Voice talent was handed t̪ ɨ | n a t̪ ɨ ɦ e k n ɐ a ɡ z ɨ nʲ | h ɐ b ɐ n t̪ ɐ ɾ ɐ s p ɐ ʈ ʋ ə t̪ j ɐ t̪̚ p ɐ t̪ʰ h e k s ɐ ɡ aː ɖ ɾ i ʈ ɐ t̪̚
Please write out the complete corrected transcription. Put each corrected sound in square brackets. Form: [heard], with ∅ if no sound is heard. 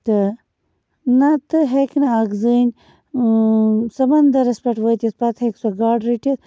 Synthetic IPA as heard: t̪ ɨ | n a t̪ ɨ ɦ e k n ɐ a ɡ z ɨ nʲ | [s] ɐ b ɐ n [d̪] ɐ ɾ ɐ s p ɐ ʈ ʋ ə t̪ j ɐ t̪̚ p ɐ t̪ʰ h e k s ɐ ɡ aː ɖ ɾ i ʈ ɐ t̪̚